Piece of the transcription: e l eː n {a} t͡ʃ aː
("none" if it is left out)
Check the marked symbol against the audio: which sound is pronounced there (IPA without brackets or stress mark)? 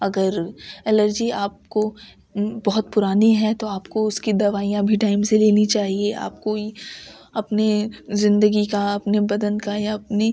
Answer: i